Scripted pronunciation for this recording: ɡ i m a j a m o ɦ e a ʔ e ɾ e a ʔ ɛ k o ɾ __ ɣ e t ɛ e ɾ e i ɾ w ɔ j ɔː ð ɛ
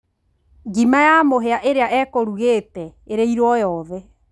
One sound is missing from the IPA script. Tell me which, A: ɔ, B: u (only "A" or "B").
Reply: B